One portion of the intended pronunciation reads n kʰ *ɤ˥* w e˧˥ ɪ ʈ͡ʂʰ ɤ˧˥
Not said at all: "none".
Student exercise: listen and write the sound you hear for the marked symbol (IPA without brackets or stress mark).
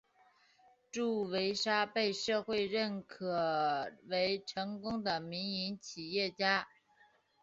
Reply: ɤ˨˩